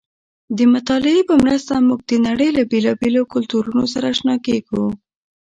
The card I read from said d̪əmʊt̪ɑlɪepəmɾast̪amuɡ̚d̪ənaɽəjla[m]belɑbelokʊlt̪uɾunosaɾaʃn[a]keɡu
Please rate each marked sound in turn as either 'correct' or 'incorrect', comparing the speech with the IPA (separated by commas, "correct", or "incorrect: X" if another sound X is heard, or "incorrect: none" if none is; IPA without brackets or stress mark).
incorrect: none, incorrect: ɑ